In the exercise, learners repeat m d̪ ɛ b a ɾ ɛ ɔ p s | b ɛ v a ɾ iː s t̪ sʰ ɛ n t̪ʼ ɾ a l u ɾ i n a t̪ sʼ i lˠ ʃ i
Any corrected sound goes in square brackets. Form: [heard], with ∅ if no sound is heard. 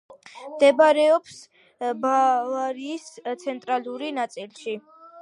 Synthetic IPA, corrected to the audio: m d̪ ɛ b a ɾ ɛ ɔ p s | b [a] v a ɾ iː s t̪ sʰ ɛ n t̪ʼ ɾ a l u ɾ i n a t̪ sʼ i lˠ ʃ i